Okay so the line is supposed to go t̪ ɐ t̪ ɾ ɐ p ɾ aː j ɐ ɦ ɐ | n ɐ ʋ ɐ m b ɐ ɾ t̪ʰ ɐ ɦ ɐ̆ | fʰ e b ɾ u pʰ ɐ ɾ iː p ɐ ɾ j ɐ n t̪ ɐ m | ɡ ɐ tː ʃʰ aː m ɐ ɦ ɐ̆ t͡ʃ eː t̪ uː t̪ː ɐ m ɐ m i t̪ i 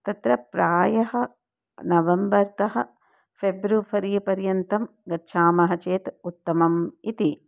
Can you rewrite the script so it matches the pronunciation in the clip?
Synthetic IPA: t̪ ɐ t̪ ɾ ɐ p ɾ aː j ɐ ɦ ɐ | n ɐ ʋ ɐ m b ɐ ɾ t̪ ɐ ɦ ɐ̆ | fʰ e b ɾ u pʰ ɐ ɾ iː p ɐ ɾ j ɐ n t̪ ɐ m | ɡ ɐ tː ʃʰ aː m ɐ ɦ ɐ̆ t͡ʃ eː t̪ u t̪ː ɐ m ɐ m i t̪ i